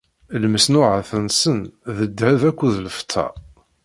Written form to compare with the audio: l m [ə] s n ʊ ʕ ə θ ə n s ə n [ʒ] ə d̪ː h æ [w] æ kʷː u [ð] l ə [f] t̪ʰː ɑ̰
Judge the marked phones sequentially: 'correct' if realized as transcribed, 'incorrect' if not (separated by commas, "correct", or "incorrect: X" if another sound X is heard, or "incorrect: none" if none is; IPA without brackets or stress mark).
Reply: correct, incorrect: ð, incorrect: v, correct, correct